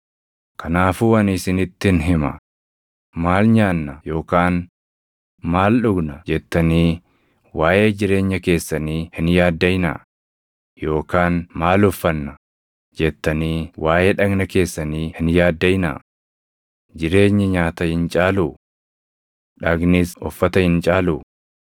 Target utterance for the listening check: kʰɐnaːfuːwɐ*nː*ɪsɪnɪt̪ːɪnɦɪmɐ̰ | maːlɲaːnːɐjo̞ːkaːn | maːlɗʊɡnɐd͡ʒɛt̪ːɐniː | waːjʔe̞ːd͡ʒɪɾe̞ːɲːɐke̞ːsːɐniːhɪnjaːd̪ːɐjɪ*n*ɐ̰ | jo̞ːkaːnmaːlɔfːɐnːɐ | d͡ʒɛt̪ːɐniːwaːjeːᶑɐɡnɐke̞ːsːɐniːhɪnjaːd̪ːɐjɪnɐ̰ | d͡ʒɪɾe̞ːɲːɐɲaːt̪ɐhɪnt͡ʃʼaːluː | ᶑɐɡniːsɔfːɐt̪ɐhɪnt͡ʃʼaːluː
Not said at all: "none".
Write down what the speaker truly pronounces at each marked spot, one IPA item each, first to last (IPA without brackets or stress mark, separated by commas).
n, n